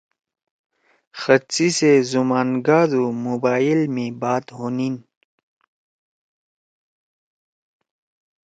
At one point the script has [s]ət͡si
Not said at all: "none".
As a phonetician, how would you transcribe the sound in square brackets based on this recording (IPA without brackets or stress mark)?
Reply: x